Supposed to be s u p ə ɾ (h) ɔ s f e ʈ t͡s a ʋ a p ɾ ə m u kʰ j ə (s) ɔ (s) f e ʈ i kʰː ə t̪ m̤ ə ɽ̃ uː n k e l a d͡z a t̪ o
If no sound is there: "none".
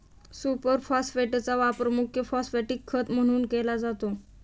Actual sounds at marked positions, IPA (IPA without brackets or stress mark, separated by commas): f, f, s